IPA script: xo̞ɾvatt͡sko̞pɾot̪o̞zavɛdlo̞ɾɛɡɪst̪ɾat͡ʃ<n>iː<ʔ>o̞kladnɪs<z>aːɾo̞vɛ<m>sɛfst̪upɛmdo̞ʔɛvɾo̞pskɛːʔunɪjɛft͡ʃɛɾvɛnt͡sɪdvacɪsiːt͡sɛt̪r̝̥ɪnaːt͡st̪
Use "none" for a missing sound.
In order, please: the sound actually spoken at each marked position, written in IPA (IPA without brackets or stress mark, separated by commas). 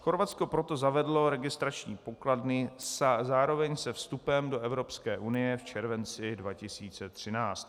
ɲ, p, z, ɲ